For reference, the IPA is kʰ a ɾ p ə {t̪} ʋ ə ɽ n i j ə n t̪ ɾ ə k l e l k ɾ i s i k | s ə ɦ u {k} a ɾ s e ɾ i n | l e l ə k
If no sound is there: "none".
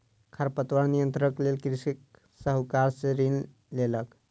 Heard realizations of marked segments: t̪, k

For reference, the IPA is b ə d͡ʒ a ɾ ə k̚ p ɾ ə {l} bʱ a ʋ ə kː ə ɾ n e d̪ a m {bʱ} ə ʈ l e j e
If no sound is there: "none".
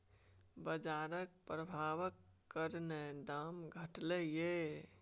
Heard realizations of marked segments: none, ɡʱ

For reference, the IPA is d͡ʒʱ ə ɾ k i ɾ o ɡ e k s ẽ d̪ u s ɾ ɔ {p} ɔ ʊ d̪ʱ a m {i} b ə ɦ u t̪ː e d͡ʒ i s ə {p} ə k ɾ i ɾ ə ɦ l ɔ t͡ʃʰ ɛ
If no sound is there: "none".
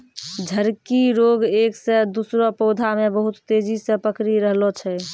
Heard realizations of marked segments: p, e, p

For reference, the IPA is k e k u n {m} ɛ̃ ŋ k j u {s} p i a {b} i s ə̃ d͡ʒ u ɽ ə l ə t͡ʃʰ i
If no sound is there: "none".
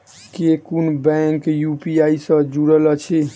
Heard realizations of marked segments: b, none, none

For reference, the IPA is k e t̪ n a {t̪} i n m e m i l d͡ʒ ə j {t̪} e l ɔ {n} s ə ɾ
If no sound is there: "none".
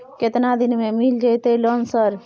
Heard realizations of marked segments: d̪, t̪, n

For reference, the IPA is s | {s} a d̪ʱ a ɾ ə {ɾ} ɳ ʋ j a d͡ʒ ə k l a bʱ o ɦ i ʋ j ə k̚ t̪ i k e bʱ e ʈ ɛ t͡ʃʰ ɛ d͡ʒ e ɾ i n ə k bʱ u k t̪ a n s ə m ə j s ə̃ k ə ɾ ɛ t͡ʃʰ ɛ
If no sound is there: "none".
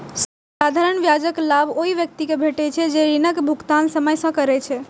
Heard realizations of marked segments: s, none

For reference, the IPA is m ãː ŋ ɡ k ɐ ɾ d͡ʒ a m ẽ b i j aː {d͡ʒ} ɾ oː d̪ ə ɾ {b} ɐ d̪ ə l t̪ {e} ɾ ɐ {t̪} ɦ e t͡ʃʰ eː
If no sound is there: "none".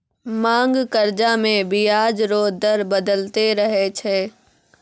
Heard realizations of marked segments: d͡ʒ, b, e, none

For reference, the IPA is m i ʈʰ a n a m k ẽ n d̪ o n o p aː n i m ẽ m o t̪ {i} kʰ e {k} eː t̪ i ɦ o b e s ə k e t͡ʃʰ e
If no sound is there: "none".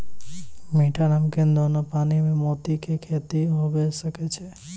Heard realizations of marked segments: i, kʰ

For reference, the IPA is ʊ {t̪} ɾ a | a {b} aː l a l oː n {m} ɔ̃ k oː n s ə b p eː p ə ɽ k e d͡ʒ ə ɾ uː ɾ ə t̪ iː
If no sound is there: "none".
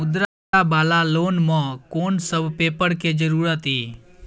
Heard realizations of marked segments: d̪, b, m

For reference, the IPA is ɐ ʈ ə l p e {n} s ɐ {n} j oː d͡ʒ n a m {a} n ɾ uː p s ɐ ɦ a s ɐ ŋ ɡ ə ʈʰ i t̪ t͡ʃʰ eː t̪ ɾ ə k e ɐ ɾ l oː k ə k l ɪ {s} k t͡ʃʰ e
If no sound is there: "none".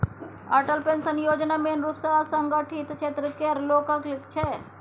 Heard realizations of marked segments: n, n, e, none

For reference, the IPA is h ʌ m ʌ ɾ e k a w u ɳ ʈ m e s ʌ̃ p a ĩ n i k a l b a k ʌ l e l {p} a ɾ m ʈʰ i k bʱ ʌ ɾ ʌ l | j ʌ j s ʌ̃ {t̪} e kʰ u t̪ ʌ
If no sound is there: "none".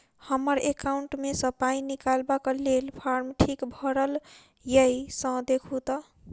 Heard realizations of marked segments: pʰ, d̪

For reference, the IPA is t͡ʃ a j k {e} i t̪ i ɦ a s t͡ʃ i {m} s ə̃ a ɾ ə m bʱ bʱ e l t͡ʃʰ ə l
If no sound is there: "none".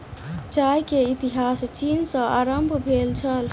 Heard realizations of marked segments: e, n

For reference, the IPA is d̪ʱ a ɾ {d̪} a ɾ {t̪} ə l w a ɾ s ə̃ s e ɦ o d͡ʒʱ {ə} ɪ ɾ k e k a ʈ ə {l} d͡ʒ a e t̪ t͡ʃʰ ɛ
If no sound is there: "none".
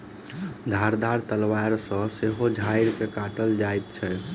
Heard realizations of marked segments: d̪, t̪, a, l

